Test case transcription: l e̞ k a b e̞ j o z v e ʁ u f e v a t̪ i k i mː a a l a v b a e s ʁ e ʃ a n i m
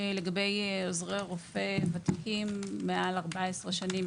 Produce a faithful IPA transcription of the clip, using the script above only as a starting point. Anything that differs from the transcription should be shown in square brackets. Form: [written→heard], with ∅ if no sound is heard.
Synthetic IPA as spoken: l e̞ [k→ɡ] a b e̞ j o z [v→ʁ] e ʁ [u→o] f e v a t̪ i k i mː [a→e] a l a [v→ʁ] b a e s ʁ e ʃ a n i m

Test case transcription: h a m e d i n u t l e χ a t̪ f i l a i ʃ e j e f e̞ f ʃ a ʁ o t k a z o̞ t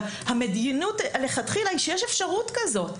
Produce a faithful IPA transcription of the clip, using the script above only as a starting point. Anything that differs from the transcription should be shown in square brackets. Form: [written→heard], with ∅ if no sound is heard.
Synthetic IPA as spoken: h a m e d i n u t l e χ a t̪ [f→χ] i l a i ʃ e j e [f→ʃ] e̞ f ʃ a ʁ [o→u] t k a z o̞ t

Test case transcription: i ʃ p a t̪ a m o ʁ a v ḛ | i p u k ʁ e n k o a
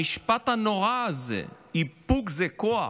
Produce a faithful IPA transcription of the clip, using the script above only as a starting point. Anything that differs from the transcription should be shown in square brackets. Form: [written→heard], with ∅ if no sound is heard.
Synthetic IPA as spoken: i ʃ p a t̪ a [m→n] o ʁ a [v→z] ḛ | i p u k [ʁ→z] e [n→∅] k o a

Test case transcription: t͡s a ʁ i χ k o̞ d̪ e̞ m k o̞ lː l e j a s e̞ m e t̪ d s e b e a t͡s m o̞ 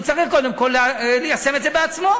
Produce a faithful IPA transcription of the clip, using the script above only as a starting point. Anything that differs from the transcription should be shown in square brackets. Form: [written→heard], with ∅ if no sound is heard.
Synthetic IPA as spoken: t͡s a ʁ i χ k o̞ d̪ e̞ m k o̞ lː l e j a s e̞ m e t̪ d [s→z] e b e a t͡s m o̞

